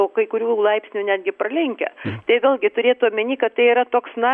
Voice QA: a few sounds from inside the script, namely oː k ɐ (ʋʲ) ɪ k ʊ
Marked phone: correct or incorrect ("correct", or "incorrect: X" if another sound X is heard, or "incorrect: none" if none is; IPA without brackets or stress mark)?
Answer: incorrect: none